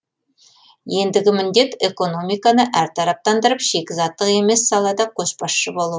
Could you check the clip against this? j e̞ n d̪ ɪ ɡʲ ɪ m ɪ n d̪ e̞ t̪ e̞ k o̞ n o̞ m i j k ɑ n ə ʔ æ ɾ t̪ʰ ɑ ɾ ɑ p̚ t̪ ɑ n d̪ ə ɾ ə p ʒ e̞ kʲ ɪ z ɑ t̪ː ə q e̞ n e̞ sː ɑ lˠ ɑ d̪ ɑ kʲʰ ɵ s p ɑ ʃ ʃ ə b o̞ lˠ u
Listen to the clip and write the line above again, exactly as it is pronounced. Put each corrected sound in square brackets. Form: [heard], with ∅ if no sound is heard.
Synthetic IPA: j e̞ n d̪ ɪ ɡʲ ɪ m ɪ n d̪ e̞ t̪ e̞ k o̞ n o̞ m i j k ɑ n ə ʔ æ ɾ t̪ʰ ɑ ɾ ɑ p̚ t̪ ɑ n d̪ ə ɾ ə p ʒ e̞ kʲ ɪ z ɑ t̪ː ə q e̞ [m] e̞ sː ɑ lˠ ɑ d̪ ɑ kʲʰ ɵ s p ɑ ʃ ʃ ə b o̞ lˠ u